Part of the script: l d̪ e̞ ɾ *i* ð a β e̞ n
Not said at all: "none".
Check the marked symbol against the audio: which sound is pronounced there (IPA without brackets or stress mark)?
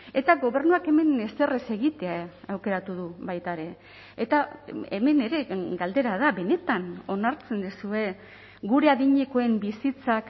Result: a